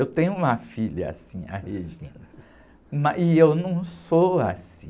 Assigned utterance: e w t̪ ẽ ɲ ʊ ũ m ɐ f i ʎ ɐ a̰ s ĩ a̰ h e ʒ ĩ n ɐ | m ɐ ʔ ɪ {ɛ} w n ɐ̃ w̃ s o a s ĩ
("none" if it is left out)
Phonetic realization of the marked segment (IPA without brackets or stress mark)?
e